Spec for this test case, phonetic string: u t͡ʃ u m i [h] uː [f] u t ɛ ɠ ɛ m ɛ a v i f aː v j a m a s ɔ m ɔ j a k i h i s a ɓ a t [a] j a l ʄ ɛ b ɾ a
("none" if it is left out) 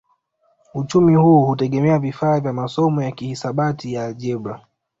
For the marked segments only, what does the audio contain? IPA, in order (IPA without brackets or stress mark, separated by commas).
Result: h, h, i